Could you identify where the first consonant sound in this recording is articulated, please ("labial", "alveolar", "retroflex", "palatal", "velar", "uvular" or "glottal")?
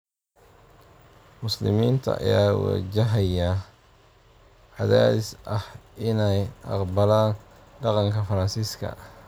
labial